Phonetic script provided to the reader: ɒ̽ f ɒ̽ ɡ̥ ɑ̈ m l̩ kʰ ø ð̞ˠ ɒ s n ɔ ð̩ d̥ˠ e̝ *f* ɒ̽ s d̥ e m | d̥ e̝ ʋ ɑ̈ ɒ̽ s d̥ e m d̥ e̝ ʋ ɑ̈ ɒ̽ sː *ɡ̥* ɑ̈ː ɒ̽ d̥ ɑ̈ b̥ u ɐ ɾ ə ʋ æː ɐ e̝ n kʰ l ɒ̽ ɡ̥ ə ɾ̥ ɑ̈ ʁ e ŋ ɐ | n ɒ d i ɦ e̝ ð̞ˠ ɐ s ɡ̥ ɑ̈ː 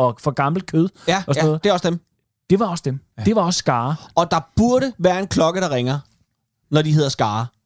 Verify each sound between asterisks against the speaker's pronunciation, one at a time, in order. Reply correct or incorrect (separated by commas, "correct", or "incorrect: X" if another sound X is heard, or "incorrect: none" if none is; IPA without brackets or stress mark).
incorrect: none, correct